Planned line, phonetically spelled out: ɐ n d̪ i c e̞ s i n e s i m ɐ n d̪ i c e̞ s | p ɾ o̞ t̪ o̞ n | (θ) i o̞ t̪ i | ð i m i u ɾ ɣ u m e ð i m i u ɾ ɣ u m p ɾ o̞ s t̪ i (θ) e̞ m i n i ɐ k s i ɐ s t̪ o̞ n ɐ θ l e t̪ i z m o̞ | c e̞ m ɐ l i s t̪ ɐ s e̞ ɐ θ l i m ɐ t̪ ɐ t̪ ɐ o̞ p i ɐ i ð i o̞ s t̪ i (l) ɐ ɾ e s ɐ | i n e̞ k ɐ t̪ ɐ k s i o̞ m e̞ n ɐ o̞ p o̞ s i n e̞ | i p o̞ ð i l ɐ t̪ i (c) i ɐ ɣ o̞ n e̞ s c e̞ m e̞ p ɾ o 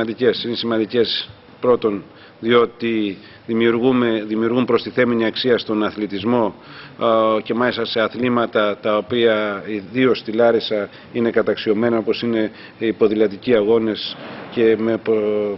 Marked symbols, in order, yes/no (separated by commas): no, yes, yes, yes